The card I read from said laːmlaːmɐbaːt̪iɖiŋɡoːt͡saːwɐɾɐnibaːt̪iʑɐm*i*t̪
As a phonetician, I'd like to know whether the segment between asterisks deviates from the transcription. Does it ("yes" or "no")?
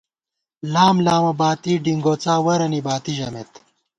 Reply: yes